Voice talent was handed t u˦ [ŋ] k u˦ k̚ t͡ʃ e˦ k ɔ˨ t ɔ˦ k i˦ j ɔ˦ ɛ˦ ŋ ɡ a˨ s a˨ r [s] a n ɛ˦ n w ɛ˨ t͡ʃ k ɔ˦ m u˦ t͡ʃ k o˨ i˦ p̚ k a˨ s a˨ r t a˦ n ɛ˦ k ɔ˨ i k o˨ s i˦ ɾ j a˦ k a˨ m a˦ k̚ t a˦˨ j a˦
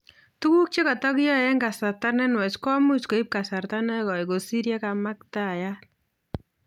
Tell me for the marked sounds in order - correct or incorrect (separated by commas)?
incorrect, incorrect